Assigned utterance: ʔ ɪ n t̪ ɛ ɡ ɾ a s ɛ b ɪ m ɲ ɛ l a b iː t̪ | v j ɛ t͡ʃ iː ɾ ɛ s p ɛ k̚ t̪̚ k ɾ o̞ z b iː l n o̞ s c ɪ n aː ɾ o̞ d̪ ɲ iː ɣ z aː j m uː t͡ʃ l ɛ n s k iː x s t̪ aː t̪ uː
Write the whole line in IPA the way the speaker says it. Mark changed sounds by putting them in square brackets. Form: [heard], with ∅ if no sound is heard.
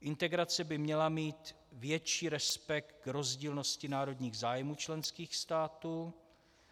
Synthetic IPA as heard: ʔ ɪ n t̪ ɛ ɡ ɾ a [t͡s] ɛ b ɪ m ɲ ɛ l a [m] iː t̪ | v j ɛ t͡ʃ iː ɾ ɛ s p ɛ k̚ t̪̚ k ɾ o̞ z [ɟ] iː l n o̞ s c ɪ n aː ɾ o̞ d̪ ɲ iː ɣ z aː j m uː t͡ʃ l ɛ n s k iː x s t̪ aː t̪ uː